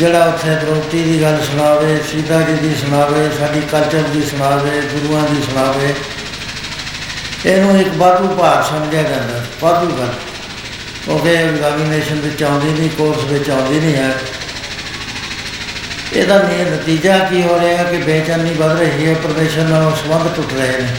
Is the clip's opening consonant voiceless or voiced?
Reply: voiced